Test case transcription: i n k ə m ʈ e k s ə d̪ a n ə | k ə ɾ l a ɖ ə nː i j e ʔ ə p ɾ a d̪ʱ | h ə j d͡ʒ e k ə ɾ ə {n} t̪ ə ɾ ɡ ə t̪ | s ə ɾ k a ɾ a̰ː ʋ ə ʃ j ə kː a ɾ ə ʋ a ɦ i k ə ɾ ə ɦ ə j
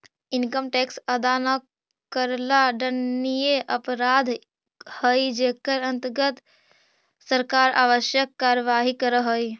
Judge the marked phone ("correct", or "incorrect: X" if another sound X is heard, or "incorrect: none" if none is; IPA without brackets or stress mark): correct